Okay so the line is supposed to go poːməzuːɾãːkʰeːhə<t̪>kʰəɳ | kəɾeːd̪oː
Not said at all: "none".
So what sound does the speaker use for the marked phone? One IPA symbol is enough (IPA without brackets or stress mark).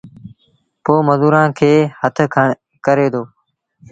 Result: t̪ʰ